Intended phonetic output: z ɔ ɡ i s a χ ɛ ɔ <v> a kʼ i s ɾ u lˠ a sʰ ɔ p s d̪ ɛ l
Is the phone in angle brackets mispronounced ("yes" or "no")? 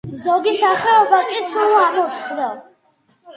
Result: yes